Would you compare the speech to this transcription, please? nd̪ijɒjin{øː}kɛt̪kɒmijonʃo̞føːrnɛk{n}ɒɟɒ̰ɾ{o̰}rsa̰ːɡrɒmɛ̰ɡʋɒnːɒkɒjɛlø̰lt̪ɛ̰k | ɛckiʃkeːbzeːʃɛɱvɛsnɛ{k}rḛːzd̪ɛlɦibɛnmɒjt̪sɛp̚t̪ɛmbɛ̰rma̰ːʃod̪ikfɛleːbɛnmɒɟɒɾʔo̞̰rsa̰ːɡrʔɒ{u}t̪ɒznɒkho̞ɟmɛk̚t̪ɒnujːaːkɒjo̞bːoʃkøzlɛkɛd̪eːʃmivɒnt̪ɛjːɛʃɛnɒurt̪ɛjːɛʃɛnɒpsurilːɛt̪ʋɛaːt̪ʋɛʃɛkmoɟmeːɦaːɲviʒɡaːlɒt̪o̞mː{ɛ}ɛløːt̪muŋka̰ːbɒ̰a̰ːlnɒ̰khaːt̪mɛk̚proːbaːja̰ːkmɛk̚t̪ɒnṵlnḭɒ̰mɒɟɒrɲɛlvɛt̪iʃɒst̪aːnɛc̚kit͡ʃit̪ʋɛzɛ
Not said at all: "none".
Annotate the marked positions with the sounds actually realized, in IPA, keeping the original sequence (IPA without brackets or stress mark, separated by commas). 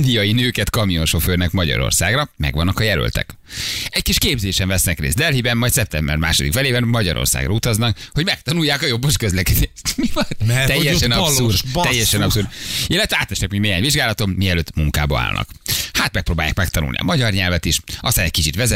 øː, m, o̰, k, u, i